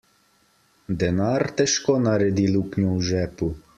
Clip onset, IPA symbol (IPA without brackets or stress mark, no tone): d̪